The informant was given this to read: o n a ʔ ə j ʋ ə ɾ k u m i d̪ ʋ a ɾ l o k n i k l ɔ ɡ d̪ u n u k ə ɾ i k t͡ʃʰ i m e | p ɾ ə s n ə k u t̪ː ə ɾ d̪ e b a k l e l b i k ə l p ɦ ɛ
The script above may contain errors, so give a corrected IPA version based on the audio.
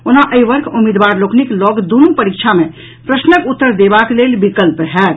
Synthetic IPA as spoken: o n a ʔ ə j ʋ ə ɾ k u m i d̪ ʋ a ɾ l o k n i k l ɔ ɡ d̪ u n u p ə ɾ i k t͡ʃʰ a m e | p ɾ ə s n ə k u t̪ː ə ɾ d̪ e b a k l e l b i k ə l p ɦ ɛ